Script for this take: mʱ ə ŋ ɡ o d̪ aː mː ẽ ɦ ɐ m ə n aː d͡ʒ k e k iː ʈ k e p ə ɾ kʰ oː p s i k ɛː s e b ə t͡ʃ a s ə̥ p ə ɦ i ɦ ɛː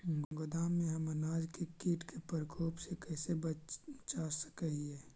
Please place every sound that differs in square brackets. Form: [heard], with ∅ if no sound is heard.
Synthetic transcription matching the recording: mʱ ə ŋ ɡ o d̪ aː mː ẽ ɦ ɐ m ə n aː d͡ʒ k e k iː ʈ k e p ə ɾ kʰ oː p s [e] k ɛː s e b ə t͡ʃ a s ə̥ [k] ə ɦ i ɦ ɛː